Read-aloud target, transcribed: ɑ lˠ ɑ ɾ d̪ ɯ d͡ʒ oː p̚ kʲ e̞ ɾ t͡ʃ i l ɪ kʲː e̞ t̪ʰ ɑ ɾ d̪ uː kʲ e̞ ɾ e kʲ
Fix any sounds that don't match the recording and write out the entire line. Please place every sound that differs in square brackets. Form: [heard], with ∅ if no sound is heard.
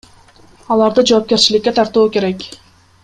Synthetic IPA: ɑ lˠ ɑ ɾ d̪ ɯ d͡ʒ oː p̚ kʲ e̞ ɾ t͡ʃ i l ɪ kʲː e̞ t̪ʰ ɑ ɾ [t̪] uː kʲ e̞ ɾ e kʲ